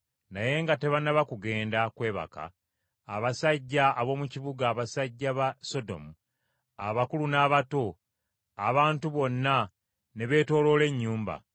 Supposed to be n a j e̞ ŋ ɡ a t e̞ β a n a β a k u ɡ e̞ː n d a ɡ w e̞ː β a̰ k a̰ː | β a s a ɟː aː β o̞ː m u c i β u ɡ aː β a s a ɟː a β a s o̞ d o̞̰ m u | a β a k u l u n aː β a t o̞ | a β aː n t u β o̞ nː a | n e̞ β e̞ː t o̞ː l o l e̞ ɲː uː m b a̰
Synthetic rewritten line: n a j e̞ ŋ ɡ a t e̞ β a n a β a k u ɡ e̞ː n d a k w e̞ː β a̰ k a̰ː | β a s a ɟː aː β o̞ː m u c i β u ɡ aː β a s a ɟː a β a s o̞ d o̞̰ m u | a β a k u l u n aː β a t o̞ | a β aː n t u β o̞ nː a | n e̞ β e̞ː t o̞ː l o l e̞ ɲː uː m b a̰